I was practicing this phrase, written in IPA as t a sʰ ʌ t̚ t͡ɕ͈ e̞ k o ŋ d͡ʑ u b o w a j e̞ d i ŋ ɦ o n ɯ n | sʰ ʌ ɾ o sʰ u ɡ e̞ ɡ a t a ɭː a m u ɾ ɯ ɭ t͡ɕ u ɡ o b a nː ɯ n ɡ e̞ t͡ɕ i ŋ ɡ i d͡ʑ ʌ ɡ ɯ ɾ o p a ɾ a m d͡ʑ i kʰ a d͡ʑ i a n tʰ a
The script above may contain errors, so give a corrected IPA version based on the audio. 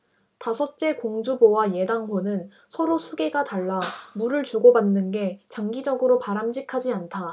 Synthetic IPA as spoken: t a sʰ ʌ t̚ t͡ɕ͈ e̞ k o ŋ d͡ʑ u b o w a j e̞ d a ŋ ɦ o n ɯ n | sʰ ʌ ɾ o sʰ u ɡ e̞ ɡ a t a ɭː a m u ɾ ɯ ɭ t͡ɕ u ɡ o b a nː ɯ n ɡ e̞ t͡ɕ a ŋ ɡ i d͡ʑ ʌ ɡ ɯ ɾ o p a ɾ a m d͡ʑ i kʰ a d͡ʑ i a n tʰ a

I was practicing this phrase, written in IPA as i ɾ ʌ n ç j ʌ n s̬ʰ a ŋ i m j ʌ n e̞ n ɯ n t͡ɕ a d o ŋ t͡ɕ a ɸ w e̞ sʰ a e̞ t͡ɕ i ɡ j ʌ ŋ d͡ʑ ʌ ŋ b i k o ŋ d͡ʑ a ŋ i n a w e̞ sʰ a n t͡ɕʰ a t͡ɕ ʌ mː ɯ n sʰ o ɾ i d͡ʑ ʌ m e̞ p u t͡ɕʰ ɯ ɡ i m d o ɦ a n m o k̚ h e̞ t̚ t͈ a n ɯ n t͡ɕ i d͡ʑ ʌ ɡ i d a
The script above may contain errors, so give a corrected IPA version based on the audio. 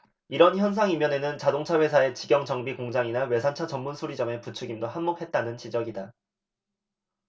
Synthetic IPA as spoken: i ɾ ʌ n ç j ʌ n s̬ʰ a ŋ i m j ʌ n e̞ n ɯ n t͡ɕ a d o ŋ t͡ɕʰ a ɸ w e̞ sʰ a e̞ t͡ɕ i ɡ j ʌ ŋ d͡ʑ ʌ ŋ b i k o ŋ d͡ʑ a ŋ i n a w e̞ sʰ a n t͡ɕʰ a t͡ɕ ʌ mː u n sʰ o ɾ i d͡ʑ ʌ m e̞ p u t͡ɕʰ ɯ ɡ i m d o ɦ a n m o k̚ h e̞ t̚ t͈ a n ɯ n t͡ɕ i d͡ʑ ʌ ɡ i d a

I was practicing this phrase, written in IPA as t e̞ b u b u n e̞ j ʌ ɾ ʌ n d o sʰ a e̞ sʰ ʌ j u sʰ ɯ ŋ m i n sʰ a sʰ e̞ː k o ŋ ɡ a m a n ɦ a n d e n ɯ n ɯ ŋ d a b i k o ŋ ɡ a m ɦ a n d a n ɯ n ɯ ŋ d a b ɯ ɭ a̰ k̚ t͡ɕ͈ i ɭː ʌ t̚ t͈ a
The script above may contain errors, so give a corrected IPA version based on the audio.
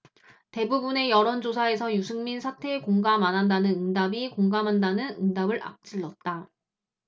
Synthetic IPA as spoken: t e̞ b u b u n e̞ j ʌ ɾ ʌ n d͡ʑ o sʰ a e̞ sʰ ʌ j u sʰ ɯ ŋ m i n sʰ a tʰ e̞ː k o ŋ ɡ a m a n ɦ a n d a n ɯ n ɯ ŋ d a b i k o ŋ ɡ a m ɦ a n d a n ɯ n ɯ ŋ d a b ɯ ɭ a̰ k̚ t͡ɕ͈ i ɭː ʌ t̚ t͈ a

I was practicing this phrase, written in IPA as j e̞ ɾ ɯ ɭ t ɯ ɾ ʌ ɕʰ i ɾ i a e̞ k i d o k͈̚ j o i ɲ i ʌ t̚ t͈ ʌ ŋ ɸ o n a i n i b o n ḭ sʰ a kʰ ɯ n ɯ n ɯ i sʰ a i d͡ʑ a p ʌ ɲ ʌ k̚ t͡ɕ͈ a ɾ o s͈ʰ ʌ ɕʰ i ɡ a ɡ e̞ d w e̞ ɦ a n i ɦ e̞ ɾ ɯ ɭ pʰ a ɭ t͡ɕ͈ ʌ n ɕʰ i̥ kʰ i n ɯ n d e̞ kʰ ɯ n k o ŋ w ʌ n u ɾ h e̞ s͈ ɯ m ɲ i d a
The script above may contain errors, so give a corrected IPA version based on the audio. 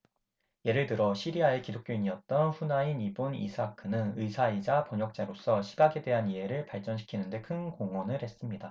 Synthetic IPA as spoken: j e̞ ɾ ɯ ɭ t ɯ ɾ ʌ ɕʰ i ɾ i a e̞ k i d o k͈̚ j o i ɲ i ʌ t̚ t͈ ʌ n ɸ u n a i n i b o n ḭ sʰ a kʰ ɯ n ɯ n ɯ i sʰ a i d͡ʑ a p ʌ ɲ ʌ k̚ t͡ɕ͈ a ɾ o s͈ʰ ʌ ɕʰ i ɡ a ɡ e̞ d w e̞ ɦ a n i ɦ e̞ ɾ ɯ ɭ p a ɭ t͡ɕ͈ ʌ n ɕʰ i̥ kʰ i n ɯ n d e̞ kʰ ɯ n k o ŋ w ʌ n ɯ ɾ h e̞ s͈ ɯ m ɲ i d a

